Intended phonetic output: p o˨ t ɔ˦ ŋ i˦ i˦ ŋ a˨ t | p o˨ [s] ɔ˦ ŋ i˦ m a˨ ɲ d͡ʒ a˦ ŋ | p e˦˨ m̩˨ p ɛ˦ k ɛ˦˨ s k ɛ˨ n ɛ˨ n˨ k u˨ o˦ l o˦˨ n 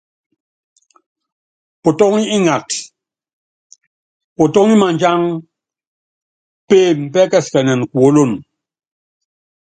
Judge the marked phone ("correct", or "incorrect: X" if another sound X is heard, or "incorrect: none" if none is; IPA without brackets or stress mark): incorrect: t